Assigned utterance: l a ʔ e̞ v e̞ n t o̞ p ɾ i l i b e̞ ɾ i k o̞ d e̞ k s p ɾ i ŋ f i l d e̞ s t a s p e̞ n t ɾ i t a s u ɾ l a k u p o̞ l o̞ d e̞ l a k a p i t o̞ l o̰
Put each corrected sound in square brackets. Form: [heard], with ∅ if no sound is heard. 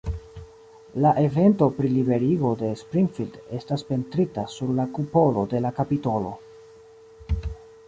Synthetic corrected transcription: l a ʔ e̞ v e̞ n t o̞ p ɾ i l i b e̞ ɾ i [ɡ] o̞ d e̞ [∅] s p ɾ i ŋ f i l d e̞ s t a s p e̞ n t ɾ i t a s u ɾ l a k u p o̞ l o̞ d e̞ l a k a p i t o̞ l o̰